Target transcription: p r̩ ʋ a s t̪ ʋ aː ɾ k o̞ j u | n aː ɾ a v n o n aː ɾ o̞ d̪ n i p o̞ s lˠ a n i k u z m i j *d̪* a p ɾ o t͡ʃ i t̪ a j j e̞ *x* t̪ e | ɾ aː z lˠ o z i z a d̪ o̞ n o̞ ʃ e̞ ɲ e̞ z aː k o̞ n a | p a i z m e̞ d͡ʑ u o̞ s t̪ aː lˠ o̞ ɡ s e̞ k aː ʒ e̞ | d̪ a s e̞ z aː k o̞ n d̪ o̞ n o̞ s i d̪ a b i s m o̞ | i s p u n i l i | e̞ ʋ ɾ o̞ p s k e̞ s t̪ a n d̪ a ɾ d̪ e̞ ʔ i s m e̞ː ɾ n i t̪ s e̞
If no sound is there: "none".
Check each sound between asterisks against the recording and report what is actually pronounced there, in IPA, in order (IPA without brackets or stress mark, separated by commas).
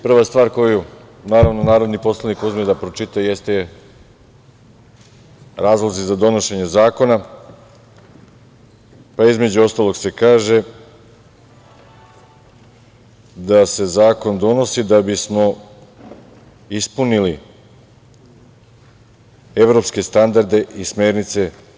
d̪, s